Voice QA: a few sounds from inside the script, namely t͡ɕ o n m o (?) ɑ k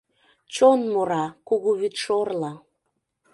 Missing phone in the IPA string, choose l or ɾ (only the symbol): ɾ